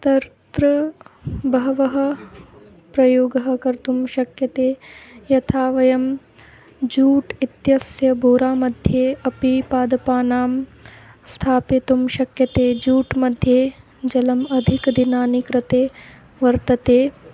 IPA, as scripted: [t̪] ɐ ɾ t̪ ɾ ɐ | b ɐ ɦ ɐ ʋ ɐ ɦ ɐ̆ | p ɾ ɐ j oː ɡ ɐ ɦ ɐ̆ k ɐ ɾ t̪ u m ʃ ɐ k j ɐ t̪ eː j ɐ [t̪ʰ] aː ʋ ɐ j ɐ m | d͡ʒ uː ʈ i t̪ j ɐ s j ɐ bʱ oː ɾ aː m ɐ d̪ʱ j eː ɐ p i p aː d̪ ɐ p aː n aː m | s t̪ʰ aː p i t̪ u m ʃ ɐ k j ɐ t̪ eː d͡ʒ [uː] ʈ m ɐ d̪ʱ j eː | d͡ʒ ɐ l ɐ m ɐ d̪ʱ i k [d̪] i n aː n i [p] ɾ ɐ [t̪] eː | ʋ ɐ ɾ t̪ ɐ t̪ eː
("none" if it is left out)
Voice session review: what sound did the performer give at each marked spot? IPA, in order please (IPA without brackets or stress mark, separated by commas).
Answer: t̪, t̪ʰ, uː, d̪, k, t̪